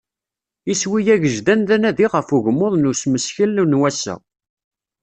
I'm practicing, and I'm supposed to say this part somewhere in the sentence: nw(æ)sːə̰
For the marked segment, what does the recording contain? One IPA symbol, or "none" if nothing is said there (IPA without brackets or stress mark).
æ